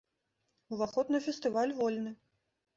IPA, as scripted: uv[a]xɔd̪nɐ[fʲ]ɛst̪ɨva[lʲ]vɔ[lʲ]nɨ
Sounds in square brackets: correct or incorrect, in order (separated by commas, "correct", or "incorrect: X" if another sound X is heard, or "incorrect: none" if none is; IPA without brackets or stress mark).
correct, correct, correct, correct